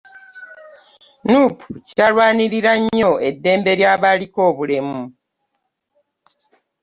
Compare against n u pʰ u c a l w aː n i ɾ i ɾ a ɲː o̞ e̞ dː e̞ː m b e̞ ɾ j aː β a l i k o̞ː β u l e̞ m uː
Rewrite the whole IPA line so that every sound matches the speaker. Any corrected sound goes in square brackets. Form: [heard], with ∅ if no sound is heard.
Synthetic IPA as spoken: n u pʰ u c a l w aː n i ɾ i ɾ a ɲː o̞ e̞ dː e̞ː m b e̞ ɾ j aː β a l i k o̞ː β u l e̞ m [u]